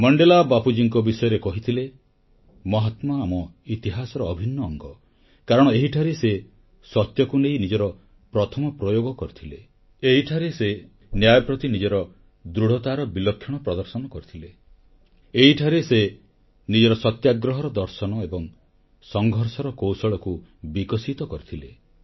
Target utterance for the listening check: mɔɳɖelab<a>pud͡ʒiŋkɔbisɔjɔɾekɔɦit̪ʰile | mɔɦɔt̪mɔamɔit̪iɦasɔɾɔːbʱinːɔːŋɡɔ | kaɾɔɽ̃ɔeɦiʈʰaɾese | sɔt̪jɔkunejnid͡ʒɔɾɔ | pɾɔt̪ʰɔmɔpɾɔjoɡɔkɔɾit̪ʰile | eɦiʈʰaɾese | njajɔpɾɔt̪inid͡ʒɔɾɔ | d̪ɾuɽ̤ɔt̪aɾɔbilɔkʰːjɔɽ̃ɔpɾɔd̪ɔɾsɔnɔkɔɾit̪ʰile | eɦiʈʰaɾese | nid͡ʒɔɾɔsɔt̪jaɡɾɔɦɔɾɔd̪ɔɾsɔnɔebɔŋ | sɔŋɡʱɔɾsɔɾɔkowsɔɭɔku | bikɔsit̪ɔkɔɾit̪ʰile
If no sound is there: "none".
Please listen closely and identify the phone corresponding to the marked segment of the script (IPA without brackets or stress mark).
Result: a